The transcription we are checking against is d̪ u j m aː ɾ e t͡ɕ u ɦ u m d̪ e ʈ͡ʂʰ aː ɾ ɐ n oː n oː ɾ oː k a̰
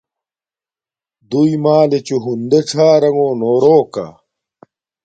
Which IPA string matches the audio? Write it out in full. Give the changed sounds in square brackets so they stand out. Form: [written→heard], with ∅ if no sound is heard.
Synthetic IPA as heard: d̪ u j m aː [ɾ→l] e t͡ɕ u ɦ u [m→n] d̪ e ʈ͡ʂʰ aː ɾ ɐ [n→ŋ] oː n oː ɾ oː k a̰